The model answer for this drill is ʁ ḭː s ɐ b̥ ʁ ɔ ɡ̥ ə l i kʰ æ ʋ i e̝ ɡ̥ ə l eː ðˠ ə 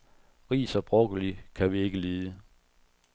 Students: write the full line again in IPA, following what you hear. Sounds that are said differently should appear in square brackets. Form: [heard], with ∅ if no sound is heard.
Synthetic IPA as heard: ʁ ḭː s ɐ b̥ ʁ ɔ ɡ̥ ə l i kʰ æ ʋ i e̝ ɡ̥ ə l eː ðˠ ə

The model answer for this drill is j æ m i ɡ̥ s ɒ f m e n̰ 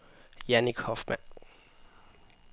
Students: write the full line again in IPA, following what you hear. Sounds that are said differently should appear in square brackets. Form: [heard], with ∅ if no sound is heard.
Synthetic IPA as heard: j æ [n] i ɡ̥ [h] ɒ f m [æ] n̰

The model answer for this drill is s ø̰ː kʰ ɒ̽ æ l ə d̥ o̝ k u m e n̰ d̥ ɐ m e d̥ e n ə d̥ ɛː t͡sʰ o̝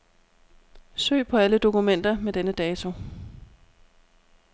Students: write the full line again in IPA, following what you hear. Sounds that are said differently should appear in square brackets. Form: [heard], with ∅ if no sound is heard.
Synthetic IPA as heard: s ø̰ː [pʰ] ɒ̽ æ l ə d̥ o̝ k u m e n̰ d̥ ɐ m e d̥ e n ə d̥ ɛː t͡sʰ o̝

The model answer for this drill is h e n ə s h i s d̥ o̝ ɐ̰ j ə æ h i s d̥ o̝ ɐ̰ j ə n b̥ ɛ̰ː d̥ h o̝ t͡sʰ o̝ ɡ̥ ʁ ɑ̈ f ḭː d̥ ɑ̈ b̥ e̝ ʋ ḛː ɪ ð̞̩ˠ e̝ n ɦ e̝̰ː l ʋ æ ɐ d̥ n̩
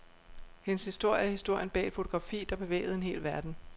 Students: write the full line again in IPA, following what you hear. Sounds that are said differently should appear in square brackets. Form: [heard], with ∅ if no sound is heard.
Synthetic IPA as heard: h e n ə s h i s d̥ o̝ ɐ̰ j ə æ h i s d̥ o̝ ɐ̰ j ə n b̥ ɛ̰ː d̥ [f] o̝ t͡sʰ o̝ ɡ̥ ʁ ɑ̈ f ḭː d̥ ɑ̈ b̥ e̝ ʋ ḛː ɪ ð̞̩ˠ e̝ n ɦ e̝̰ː l ʋ æ ɐ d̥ n̩

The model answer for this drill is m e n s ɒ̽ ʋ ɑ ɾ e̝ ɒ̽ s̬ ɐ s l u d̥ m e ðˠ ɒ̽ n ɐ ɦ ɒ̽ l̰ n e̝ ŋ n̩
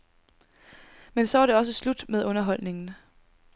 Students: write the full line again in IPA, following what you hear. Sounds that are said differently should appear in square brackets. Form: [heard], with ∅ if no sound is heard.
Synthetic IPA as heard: m e n s ɒ̽ ʋ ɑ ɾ e̝ ɒ̽ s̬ [ə] s l u d̥ m e ðˠ [ɔ̽] n ɐ ɦ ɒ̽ l̰ n e̝ ŋ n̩

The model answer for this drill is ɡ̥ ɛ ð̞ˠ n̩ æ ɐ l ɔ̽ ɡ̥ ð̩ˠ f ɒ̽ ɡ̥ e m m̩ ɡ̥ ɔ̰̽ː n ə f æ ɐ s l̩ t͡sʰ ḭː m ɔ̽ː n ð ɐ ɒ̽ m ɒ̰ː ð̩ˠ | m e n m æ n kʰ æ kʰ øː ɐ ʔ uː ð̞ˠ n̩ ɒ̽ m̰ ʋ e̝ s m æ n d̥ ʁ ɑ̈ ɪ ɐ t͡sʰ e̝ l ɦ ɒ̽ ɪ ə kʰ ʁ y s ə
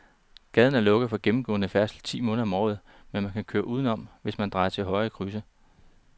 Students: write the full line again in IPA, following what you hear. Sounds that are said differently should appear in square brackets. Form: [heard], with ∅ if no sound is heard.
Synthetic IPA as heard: ɡ̥ ɛ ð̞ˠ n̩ æ ɐ l ɔ̽ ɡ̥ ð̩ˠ f ɒ̽ ɡ̥ e m m̩ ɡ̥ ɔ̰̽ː n ə f æ ɐ s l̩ t͡sʰ ḭː m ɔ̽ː n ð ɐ ɒ̽ m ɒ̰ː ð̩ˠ | m e n m æ n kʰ æ kʰ øː ɐ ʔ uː ð̞ˠ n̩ ɒ̽ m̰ ʋ e̝ s m æ n d̥ ʁ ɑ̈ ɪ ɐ t͡sʰ e̝ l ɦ ɒ̽ ɪ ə kʰ ʁ y s ə

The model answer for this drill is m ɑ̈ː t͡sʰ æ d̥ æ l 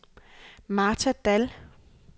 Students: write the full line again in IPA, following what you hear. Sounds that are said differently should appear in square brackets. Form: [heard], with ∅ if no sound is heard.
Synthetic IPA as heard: m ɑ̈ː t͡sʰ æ d̥ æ l

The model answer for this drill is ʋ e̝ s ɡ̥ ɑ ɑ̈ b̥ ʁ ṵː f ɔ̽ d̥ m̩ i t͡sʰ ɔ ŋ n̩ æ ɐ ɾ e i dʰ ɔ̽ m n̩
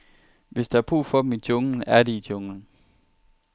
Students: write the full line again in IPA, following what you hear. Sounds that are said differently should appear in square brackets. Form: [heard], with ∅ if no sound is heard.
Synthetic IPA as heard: ʋ e̝ s [d̥] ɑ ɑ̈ b̥ ʁ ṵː f [ɒ̽] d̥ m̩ i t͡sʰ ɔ ŋ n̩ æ ɐ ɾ e i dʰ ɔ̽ [ŋ] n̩

